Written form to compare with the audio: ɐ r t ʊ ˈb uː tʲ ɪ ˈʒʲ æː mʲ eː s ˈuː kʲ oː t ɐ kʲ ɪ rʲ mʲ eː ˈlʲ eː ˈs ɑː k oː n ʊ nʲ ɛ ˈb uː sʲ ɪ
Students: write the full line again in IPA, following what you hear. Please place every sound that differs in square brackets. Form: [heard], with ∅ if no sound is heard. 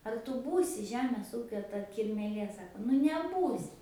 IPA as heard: ɐ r t ʊ ˈb uː [sʲ] ɪ ˈʒʲ æː mʲ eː s ˈuː kʲ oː t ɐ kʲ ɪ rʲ mʲ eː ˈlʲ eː ˈs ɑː k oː n ʊ nʲ ɛ ˈb uː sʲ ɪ

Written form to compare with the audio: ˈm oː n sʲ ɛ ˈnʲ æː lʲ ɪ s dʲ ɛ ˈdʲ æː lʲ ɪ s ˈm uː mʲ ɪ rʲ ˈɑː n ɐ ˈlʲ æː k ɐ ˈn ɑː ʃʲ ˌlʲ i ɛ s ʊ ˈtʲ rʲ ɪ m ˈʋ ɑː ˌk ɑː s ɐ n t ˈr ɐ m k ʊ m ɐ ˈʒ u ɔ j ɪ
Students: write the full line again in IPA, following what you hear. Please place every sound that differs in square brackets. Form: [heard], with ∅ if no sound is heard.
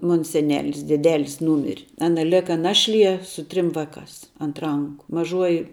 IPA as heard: ˈm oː n sʲ ɛ ˈnʲ æː lʲ ɪ s dʲ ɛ ˈdʲ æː lʲ ɪ s [ˈn] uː mʲ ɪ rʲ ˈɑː n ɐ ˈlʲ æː k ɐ ˈn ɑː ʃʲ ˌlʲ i ɛ s ʊ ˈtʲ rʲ ɪ m ˈʋ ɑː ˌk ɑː s ɐ n t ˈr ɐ [ŋ] k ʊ m ɐ ˈʒ u ɔ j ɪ

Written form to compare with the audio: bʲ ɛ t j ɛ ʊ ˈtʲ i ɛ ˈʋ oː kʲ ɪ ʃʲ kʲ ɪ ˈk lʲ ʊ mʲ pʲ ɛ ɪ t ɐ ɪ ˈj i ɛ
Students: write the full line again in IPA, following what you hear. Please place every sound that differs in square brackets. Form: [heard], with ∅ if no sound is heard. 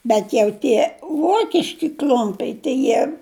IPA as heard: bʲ ɛ t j ɛ ʊ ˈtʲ i ɛ ˈʋ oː kʲ ɪ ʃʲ kʲ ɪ ˈk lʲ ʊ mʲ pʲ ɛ ɪ t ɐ ɪ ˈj i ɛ

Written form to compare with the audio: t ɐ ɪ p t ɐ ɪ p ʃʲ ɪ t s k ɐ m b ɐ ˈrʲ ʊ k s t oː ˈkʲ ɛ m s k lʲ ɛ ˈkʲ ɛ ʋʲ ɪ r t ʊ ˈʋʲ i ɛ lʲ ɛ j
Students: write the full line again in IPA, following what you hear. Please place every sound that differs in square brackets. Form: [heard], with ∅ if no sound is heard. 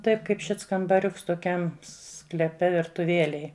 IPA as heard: t ɐ ɪ p [k] ɐ ɪ p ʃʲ ɪ t s k ɐ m b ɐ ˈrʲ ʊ k s t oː ˈkʲ ɛ m s k lʲ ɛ [ˈpʲ] ɛ ʋʲ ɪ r t ʊ ˈʋʲ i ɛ lʲ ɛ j

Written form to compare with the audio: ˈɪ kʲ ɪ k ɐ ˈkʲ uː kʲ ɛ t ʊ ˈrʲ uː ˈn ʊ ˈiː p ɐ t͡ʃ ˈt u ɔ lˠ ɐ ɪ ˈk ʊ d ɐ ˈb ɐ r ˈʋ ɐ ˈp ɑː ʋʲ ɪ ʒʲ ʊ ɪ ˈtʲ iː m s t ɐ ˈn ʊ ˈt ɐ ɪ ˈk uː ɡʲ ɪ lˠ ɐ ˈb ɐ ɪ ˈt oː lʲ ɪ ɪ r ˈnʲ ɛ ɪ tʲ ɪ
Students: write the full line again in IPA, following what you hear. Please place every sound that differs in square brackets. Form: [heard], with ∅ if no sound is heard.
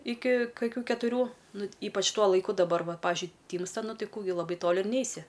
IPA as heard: ˈɪ kʲ ɪ k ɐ ˈkʲ uː kʲ ɛ t ʊ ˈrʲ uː ˈn ʊ ˈiː p ɐ t͡ʃ ˈt u ɔ lˠ ɐ ɪ ˈk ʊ d ɐ ˈb ɐ r ˈʋ ɐ ˈp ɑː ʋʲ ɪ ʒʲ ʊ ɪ ˈtʲ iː m s t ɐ ˈn ʊ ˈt ɐ ɪ ˈk uː ɡʲ ɪ lˠ ɐ ˈb ɐ ɪ ˈt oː lʲ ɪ ɪ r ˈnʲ ɛ ɪ [sʲ] ɪ

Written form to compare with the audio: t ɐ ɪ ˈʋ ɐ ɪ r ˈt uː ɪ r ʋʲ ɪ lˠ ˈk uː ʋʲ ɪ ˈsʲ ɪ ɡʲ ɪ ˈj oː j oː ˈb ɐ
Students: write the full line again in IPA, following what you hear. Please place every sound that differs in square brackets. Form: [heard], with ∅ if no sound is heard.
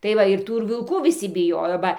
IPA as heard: t ɐ ɪ ˈʋ ɐ ɪ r ˈt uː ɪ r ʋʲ ɪ lˠ ˈk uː ʋʲ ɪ ˈsʲ ɪ [bʲ] ɪ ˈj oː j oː ˈb ɐ

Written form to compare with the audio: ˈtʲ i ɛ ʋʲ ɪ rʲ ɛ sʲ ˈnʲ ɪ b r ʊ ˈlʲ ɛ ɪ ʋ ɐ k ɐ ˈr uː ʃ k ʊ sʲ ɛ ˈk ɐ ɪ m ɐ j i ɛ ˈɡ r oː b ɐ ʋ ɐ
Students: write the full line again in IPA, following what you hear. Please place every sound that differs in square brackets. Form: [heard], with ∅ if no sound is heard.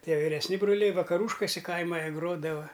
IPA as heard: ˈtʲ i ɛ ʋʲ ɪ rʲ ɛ sʲ ˈnʲ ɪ b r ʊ ˈlʲ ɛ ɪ ʋ ɐ k ɐ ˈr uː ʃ k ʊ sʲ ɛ ˈk ɐ ɪ m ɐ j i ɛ ˈɡ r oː [d] ɐ ʋ ɐ

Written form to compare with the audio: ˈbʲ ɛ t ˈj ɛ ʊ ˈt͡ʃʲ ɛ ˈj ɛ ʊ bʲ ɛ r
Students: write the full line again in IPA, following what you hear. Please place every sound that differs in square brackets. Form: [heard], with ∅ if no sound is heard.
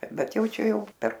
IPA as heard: ˈbʲ ɛ t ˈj ɛ ʊ ˈt͡ʃʲ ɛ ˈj ɛ ʊ [pʲ] ɛ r

